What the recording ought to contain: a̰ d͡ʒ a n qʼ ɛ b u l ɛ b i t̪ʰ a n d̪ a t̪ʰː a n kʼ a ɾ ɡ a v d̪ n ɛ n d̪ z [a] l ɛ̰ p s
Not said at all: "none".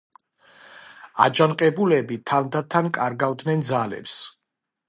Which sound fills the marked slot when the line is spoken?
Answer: a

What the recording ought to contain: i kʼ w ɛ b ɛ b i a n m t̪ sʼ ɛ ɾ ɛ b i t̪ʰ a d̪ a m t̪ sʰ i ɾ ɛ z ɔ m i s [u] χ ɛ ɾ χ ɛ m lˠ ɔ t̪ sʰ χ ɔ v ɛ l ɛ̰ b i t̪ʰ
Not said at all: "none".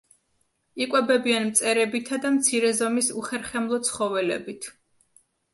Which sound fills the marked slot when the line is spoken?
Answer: u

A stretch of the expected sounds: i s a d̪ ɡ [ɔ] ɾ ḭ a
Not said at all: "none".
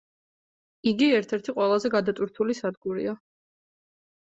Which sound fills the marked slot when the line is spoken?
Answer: u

